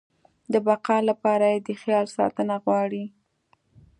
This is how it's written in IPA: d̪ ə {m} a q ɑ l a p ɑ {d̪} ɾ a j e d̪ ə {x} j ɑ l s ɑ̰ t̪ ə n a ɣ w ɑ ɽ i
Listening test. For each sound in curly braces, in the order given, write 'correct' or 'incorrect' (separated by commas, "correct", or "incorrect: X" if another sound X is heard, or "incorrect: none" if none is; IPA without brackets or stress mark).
incorrect: b, incorrect: none, correct